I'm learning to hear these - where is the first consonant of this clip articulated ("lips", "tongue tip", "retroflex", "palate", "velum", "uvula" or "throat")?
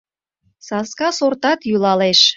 tongue tip